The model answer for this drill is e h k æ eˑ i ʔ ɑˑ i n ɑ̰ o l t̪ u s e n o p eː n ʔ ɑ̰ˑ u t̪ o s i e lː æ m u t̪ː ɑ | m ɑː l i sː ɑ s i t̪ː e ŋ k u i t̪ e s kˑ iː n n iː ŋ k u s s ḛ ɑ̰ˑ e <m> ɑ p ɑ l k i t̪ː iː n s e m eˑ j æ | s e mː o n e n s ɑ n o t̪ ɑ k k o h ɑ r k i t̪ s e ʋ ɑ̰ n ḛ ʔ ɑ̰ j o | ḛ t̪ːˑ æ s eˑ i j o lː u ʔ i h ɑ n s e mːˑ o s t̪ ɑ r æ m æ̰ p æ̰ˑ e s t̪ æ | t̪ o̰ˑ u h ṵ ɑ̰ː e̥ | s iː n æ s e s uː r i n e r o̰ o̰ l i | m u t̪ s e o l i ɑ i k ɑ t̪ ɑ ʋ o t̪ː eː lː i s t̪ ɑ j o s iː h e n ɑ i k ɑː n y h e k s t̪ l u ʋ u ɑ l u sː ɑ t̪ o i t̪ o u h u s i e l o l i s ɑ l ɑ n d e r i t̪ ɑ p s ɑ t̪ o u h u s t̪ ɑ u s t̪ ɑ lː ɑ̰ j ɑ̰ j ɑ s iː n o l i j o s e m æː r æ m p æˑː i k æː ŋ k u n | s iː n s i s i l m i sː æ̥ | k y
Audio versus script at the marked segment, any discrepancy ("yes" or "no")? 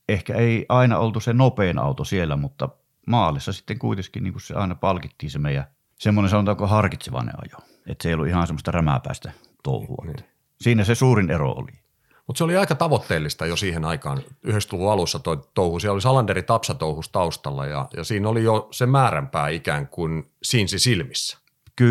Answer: yes